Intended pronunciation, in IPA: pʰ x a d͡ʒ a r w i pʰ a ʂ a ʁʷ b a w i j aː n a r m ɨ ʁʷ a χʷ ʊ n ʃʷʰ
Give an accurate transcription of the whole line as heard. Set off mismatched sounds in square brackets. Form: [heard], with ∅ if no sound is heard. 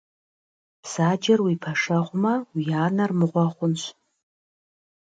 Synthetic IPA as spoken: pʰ [s] a d͡ʒ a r w i pʰ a ʂ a ʁʷ [m] a w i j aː n a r m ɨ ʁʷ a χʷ ʊ n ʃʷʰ